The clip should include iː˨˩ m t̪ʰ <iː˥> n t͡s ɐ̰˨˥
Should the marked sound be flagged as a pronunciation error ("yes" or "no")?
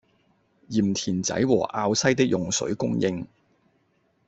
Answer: yes